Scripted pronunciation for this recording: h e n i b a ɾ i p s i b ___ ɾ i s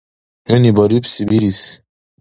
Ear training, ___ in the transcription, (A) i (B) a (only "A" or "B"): A